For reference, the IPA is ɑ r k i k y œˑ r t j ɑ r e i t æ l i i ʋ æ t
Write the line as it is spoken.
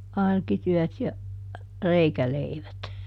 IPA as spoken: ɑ r k i t y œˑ t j ɑ r e i k æ l e i ʋ æ t